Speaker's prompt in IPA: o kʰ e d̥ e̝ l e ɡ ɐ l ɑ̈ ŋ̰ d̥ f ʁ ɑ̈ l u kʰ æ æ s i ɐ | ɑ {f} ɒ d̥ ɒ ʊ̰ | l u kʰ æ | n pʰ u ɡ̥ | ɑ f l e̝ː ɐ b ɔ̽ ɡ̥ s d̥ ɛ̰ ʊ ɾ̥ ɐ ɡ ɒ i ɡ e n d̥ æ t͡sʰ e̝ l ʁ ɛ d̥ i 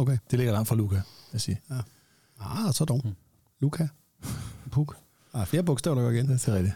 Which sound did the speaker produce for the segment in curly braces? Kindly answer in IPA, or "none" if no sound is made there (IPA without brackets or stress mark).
s